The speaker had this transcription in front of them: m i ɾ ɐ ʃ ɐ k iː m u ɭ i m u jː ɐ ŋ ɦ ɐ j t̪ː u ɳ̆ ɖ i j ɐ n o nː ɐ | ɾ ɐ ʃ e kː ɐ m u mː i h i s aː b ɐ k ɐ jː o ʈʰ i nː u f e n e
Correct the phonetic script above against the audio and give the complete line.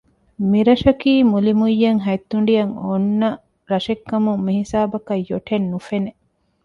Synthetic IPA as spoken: m i ɾ ɐ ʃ ɐ k iː m u l i m u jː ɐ ŋ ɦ ɐ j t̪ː u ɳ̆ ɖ i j ɐ ŋ o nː ɐ | ɾ ɐ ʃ e kː ɐ m u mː i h i s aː b ɐ k ɐ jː o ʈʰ e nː u f e n e